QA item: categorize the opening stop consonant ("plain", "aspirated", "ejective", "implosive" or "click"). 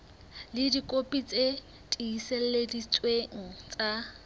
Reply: plain